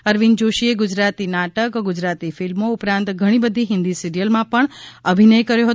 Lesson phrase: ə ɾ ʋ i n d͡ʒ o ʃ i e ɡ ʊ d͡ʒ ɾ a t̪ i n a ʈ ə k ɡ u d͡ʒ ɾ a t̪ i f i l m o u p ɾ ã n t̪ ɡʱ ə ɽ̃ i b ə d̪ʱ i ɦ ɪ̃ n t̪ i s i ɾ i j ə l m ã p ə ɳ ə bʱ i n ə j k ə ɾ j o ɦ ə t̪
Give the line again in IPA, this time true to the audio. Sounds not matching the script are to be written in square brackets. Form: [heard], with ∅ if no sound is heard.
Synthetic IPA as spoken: ə ɾ ʋ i n d͡ʒ o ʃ i e ɡ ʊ d͡ʒ ɾ a t̪ i n a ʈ ə k ɡ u d͡ʒ ɾ a t̪ i f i l m o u p ɾ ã n t̪ ɡʱ ə ɽ̃ i b ə d̪ʱ i ɦ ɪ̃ n [d̪] i s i ɾ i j ə l m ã p ə ɳ ə bʱ i n ə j k ə ɾ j o ɦ ə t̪